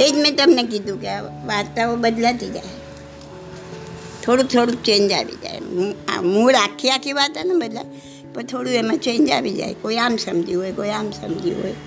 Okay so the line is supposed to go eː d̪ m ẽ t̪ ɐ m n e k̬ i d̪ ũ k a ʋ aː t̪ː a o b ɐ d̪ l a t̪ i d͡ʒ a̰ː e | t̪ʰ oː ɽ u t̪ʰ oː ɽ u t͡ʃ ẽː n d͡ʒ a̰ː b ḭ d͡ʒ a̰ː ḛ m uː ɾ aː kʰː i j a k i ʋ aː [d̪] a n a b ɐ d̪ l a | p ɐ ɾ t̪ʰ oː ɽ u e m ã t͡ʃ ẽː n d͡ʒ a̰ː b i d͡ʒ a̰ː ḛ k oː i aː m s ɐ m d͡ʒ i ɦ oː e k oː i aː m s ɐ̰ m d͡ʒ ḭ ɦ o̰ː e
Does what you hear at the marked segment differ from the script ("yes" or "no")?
yes